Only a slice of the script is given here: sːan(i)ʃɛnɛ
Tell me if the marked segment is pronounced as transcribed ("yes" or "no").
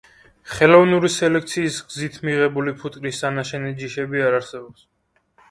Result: no